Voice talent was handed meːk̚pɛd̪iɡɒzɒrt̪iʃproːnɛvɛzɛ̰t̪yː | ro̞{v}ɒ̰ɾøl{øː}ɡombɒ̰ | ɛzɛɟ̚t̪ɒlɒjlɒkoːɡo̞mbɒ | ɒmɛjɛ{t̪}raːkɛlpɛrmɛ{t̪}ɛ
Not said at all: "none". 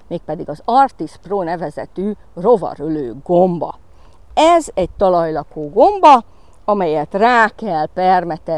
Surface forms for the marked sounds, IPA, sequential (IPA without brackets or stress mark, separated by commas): v, øː, t̪, t̪